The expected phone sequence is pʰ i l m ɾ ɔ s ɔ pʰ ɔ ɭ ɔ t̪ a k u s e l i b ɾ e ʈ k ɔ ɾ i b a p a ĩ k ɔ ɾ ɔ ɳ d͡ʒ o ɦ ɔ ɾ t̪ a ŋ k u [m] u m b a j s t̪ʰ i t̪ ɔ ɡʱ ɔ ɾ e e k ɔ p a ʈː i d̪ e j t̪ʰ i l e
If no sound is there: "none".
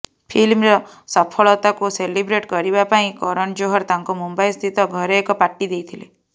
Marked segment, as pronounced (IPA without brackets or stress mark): m